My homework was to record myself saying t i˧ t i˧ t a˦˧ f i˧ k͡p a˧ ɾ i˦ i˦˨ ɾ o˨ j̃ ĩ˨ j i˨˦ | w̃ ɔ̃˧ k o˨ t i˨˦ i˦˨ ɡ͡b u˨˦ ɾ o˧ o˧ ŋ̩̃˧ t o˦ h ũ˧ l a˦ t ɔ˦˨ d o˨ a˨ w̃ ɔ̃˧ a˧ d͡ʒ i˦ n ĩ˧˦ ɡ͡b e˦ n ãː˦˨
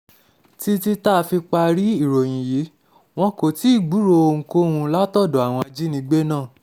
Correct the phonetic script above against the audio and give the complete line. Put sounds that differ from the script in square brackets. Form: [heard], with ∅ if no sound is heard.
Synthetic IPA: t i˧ t i˧ t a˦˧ f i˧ k͡p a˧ ɾ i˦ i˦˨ ɾ o˨ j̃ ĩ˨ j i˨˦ | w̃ ɔ̃˧ k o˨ t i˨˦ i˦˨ ɡ͡b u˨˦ ɾ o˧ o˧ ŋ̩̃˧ [k] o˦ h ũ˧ l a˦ t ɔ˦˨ d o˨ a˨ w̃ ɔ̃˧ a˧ d͡ʒ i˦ n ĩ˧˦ ɡ͡b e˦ n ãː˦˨